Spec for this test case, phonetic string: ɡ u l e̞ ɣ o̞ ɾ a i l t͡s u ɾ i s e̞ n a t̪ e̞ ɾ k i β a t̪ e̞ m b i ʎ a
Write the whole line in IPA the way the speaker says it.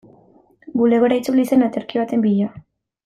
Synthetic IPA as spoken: ɡ u l e̞ ɣ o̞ ɾ a i t͡s u l i s e̞ n a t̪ e̞ ɾ k i β a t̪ e̞ m b i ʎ a